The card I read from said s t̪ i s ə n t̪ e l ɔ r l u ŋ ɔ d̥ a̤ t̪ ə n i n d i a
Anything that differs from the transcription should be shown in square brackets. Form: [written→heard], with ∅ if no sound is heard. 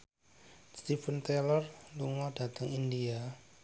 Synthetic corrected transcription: s t̪ i [s→f] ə n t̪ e l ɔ r l u ŋ ɔ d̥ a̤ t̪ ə [n→ŋ] i n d i a